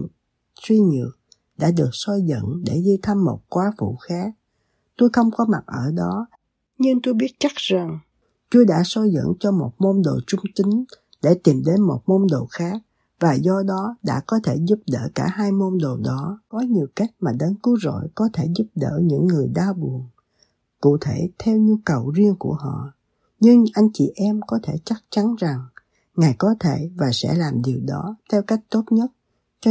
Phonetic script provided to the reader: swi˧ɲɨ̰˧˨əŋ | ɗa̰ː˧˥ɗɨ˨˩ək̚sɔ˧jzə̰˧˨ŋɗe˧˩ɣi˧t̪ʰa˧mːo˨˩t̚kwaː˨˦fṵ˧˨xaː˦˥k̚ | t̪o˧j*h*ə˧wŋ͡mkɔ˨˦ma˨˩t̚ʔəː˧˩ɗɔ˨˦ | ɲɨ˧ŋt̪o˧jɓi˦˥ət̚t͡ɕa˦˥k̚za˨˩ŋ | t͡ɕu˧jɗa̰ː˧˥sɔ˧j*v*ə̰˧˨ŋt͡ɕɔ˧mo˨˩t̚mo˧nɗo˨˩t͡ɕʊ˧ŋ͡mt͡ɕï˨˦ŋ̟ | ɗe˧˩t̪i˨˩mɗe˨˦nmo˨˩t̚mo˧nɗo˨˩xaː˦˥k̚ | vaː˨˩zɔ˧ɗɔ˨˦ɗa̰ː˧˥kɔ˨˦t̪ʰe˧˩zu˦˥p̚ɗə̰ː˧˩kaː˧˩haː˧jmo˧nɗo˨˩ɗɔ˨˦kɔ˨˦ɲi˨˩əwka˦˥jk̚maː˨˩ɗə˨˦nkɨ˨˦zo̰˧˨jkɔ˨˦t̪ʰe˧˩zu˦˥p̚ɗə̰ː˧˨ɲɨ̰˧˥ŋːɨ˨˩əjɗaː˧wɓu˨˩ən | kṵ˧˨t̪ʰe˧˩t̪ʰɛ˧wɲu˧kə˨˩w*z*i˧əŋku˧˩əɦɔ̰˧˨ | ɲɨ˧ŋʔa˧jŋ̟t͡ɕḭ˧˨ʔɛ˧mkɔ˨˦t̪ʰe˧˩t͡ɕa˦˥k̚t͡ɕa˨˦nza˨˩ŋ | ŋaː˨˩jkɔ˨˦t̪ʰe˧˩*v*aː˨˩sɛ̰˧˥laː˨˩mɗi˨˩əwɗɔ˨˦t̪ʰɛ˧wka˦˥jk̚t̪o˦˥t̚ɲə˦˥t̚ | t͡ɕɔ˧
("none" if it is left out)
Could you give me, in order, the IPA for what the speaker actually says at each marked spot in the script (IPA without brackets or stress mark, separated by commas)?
x, z, z, v